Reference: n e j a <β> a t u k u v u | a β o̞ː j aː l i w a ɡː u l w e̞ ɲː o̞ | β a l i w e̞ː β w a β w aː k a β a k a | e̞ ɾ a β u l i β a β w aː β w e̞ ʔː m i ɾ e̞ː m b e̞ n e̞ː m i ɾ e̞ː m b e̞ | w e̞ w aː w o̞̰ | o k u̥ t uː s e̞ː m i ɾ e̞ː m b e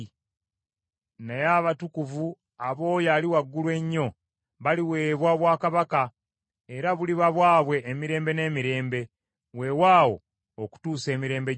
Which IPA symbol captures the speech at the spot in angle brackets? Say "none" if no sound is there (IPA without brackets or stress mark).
β